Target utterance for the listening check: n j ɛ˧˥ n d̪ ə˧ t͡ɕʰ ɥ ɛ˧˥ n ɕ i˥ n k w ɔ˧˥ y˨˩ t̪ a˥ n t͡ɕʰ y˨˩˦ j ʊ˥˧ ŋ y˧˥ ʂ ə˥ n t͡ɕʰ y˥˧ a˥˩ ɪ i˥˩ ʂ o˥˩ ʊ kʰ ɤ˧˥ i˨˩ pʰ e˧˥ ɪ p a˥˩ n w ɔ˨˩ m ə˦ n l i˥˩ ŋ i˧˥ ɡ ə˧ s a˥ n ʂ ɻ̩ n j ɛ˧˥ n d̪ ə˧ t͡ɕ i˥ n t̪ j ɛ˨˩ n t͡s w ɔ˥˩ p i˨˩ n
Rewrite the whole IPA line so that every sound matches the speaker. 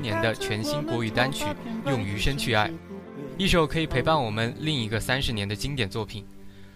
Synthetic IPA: n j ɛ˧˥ n d̪ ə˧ t͡ɕʰ ɥ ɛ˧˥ n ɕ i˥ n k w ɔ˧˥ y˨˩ t̪ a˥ n t͡ɕʰ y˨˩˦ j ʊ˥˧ ŋ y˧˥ ʂ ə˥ n t͡ɕʰ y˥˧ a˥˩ ɪ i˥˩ ʂ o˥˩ ʊ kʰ ɤ˧˥ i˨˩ pʰ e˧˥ ɪ p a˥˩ n w ɔ˨˩ m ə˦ n l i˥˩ ŋ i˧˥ ɡ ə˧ s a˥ n ʂ ɻ̩ n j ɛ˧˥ n d̪ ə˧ t͡ɕ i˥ ŋ t̪ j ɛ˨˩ n t͡s w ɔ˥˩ pʰ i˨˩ n